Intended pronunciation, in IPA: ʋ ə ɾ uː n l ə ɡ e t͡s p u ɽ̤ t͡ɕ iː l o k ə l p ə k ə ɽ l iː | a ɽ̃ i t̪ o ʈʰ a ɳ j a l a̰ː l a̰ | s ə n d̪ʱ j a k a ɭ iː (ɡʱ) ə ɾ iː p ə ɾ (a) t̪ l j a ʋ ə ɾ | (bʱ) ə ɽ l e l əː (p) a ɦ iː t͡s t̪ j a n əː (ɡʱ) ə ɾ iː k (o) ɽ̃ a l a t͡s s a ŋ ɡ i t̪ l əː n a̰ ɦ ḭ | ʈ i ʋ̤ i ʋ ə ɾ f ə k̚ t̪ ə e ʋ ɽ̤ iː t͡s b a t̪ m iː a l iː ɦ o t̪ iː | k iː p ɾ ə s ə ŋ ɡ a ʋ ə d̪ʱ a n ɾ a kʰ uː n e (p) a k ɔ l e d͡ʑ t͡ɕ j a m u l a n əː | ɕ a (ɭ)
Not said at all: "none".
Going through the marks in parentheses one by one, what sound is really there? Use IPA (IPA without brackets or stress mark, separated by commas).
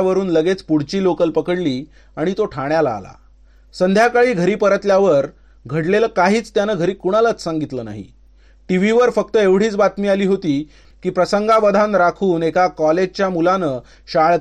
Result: ɡʱ, ə, ɡʱ, k, ɡʱ, u, k, ɭ